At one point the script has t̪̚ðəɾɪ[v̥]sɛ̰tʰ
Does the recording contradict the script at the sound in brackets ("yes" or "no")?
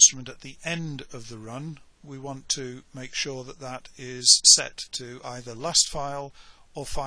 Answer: yes